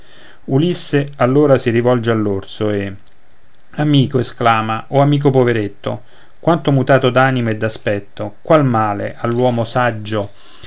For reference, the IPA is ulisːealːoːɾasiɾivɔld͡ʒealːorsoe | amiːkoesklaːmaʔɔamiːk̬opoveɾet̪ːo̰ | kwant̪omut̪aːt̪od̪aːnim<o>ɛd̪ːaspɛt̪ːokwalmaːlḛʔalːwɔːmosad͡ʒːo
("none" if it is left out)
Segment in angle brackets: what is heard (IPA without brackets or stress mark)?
o